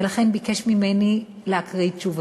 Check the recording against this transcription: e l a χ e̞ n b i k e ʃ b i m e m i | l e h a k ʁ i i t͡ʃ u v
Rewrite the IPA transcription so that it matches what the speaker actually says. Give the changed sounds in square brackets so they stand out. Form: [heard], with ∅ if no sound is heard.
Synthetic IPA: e l a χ e̞ n b i k e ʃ [m] i m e [n] i | l e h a k ʁ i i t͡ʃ u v